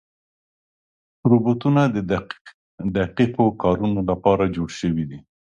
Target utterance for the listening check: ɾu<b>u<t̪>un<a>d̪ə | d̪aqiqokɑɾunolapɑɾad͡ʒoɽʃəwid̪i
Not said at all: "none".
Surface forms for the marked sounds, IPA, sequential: b, t̪, a

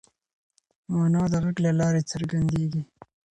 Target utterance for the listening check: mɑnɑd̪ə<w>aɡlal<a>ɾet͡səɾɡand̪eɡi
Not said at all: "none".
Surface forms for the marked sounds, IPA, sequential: ɣ, ɑ

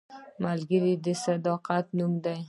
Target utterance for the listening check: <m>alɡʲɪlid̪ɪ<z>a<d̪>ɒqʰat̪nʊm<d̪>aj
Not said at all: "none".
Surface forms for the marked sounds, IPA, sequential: m, s, d̪, d̪

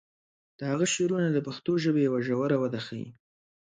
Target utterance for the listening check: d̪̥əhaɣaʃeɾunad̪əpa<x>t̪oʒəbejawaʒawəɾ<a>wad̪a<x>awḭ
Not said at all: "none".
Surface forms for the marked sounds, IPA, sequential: x, a, x

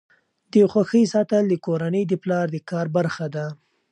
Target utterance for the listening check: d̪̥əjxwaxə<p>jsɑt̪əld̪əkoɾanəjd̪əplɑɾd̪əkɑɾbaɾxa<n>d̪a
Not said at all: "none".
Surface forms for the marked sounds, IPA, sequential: none, none

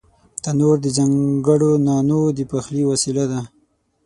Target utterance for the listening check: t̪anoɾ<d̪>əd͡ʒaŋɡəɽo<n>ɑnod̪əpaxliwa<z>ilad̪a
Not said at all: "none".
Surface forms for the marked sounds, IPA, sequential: d̪, n, s

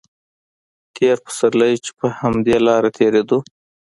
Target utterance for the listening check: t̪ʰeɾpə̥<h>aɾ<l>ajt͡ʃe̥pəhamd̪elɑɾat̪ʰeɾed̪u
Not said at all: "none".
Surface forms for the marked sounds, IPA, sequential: s, l

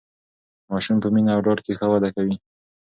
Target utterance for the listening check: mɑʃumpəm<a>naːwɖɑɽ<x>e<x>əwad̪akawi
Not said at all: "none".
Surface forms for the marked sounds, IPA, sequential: i, k, x

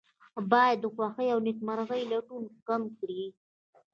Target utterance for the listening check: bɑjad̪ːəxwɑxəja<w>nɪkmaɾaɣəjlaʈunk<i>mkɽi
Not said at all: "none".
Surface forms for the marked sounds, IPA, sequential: w, a

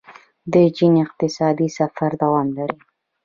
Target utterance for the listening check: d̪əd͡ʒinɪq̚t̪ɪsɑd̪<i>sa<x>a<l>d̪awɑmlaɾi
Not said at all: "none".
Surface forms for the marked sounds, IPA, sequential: i, f, ɾ

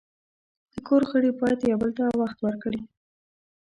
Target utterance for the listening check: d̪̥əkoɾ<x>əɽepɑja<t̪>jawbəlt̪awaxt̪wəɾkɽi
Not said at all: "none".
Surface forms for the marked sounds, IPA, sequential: x, t̪

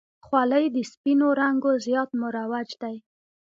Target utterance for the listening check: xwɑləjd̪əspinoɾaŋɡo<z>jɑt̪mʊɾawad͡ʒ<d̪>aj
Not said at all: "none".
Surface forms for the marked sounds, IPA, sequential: z, d̪

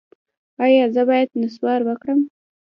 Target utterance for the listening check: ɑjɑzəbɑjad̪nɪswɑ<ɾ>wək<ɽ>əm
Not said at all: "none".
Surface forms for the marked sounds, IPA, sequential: ɾ, ɽ

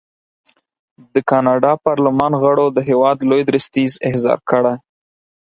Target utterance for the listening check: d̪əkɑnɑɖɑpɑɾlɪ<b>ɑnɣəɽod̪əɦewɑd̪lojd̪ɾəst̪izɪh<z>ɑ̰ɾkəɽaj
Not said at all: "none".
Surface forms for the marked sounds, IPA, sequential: m, z

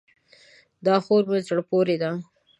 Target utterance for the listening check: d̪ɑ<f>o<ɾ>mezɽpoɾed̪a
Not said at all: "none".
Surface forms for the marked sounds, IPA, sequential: x, ɾ

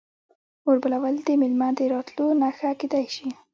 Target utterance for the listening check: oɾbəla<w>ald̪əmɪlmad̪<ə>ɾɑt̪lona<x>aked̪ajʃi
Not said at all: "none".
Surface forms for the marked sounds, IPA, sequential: w, ə, x

